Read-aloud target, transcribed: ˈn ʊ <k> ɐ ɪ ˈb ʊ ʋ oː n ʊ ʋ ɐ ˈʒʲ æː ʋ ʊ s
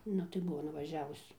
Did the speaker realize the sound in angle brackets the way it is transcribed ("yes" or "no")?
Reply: no